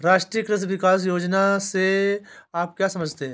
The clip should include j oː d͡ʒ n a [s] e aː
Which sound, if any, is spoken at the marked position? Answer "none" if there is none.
s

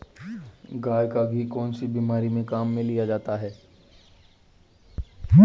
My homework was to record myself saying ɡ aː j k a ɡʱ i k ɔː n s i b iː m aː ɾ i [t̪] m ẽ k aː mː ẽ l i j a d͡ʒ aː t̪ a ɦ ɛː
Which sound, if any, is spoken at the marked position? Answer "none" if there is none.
none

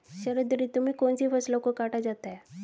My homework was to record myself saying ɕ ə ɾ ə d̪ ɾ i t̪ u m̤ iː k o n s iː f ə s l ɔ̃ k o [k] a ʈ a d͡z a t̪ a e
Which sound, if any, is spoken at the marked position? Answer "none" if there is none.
k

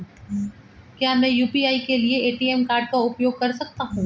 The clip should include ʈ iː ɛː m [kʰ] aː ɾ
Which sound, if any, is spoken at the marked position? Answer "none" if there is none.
k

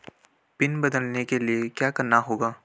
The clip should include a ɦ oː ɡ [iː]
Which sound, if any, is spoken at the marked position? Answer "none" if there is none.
aː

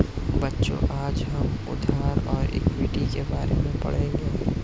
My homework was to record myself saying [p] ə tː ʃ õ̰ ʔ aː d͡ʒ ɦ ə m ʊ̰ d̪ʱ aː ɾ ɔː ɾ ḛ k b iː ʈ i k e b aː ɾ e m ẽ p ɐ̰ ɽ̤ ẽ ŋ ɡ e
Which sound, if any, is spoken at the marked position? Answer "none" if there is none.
b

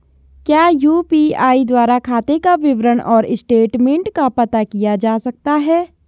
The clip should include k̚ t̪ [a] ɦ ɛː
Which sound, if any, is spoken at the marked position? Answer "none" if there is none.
a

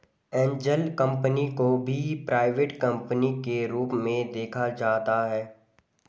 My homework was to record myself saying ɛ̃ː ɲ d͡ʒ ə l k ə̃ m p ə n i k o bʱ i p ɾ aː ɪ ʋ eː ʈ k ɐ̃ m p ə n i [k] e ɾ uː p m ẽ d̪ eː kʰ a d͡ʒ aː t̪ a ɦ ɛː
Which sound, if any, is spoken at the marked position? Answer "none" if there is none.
k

